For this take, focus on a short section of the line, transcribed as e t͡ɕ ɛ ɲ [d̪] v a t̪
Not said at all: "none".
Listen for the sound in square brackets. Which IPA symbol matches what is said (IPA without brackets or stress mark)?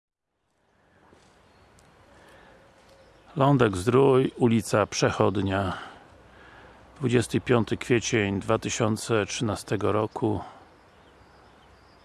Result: d̪